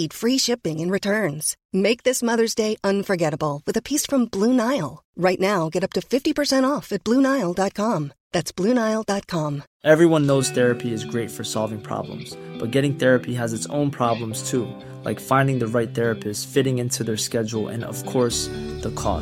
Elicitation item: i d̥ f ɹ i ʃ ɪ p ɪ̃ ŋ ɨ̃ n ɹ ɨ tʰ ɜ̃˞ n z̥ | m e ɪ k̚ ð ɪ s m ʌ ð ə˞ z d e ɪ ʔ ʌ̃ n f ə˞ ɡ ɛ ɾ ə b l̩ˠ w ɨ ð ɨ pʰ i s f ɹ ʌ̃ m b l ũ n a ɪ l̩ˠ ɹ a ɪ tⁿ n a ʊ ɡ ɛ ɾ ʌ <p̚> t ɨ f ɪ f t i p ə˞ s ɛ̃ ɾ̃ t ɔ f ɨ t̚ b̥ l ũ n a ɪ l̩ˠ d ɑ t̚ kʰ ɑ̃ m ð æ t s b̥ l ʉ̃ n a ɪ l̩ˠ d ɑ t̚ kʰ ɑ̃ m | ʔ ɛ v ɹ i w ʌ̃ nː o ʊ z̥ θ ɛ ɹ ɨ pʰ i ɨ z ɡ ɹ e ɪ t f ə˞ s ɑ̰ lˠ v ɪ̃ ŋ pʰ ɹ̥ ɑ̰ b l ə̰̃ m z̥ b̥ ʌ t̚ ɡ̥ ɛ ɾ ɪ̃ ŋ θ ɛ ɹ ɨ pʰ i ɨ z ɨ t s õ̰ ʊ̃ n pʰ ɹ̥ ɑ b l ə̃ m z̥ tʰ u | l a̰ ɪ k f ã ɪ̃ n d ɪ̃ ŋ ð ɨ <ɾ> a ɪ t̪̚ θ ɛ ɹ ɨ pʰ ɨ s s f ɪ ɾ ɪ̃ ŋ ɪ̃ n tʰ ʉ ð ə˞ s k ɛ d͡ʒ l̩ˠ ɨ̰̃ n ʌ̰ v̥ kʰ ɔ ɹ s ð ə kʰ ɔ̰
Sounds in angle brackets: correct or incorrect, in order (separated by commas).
correct, incorrect